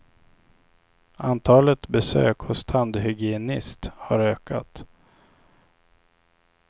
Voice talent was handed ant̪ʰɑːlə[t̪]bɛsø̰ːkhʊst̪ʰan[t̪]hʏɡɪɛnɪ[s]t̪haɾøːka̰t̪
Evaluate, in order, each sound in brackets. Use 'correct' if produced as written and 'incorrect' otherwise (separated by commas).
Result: correct, incorrect, correct